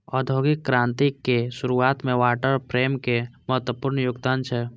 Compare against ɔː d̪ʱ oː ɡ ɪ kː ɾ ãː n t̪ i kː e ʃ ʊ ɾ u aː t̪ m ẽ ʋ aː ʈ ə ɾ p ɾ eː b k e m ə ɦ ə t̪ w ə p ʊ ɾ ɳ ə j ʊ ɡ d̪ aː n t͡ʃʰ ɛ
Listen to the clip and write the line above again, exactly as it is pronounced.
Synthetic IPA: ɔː d̪ʱ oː ɡ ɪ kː ɾ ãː n t̪ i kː e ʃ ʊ ɾ u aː t̪ m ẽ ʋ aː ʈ ə ɾ p ɾ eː m k e m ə ɦ ə t̪ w ə p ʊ ɾ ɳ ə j ʊ ɡ d̪ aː n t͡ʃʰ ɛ